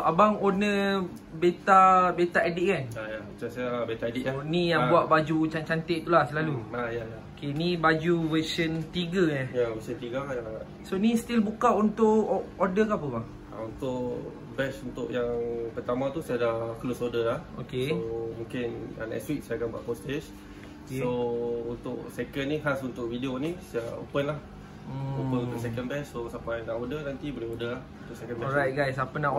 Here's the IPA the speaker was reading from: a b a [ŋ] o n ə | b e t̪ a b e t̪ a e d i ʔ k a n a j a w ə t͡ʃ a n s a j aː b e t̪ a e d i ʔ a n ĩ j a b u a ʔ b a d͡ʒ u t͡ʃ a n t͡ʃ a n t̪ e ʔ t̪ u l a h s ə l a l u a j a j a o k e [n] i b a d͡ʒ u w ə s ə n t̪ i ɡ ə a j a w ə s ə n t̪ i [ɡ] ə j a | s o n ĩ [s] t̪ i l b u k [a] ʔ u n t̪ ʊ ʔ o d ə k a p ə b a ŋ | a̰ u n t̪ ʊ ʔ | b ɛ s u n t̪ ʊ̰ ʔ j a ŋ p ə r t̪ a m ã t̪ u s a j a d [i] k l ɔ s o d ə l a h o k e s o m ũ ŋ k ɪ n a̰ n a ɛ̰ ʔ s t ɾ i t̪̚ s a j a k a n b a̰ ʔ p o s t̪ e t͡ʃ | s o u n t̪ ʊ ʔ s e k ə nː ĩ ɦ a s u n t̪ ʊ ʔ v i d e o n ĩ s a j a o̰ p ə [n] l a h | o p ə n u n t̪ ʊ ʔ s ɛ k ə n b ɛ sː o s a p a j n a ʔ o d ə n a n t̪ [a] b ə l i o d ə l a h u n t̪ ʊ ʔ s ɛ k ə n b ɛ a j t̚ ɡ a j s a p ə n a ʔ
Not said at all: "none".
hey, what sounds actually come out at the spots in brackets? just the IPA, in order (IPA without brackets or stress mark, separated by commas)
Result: ŋ, n, ɡ, s, a, a, n, i